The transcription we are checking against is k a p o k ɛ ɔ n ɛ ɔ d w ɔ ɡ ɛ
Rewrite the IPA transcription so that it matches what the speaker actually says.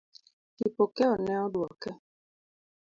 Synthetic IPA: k i p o k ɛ ɔ n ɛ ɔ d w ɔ k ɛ